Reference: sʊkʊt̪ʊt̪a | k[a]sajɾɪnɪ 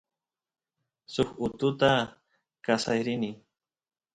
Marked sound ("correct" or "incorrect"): correct